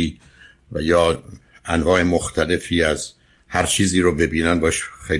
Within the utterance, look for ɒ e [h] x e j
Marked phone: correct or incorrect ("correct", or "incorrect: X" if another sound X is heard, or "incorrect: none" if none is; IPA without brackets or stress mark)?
incorrect: ʃ